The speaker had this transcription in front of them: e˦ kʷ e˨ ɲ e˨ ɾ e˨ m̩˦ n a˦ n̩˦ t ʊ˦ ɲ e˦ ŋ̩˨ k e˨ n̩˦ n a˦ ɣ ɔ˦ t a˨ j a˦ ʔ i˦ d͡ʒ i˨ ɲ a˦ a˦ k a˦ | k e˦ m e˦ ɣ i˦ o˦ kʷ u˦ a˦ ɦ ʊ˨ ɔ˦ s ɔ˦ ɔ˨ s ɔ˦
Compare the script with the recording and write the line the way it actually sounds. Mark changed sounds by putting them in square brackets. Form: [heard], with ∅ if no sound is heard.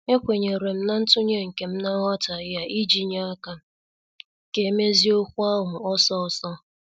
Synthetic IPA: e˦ kʷ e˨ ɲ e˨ ɾ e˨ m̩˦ n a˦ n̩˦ t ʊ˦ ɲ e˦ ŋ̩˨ k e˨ [m̩˦] n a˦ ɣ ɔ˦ t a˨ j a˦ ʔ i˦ d͡ʒ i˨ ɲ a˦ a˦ k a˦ | k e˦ m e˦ [z] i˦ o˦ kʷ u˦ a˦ ɦ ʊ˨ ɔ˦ s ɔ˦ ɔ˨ s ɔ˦